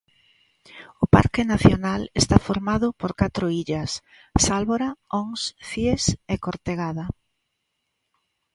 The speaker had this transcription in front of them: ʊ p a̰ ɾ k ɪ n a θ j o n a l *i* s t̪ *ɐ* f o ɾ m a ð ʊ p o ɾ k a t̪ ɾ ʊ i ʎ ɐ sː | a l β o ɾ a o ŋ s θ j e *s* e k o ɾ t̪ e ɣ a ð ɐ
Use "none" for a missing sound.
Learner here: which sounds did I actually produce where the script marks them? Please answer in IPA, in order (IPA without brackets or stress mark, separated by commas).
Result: e, a, s